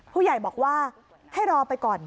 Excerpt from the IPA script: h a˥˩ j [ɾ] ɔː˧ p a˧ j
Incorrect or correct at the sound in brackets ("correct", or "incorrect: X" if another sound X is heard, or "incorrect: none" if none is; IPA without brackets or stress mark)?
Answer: correct